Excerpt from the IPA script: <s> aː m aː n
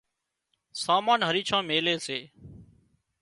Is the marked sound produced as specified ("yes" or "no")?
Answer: yes